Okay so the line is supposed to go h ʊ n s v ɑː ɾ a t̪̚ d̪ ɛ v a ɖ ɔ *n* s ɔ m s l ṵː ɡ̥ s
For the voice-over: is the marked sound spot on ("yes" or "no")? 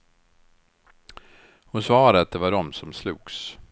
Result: no